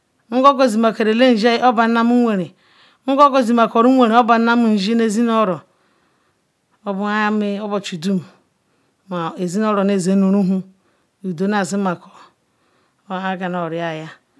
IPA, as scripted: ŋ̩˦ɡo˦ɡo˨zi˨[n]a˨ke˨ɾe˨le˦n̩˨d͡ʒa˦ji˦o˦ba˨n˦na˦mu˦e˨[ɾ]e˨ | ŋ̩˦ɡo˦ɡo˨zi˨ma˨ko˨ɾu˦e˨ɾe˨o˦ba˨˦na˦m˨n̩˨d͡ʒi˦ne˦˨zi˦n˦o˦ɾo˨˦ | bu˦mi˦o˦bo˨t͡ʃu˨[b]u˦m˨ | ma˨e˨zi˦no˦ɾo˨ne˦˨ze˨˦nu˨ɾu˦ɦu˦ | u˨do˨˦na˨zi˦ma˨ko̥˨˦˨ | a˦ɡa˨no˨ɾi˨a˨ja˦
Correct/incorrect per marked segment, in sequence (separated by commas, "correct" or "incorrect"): incorrect, correct, incorrect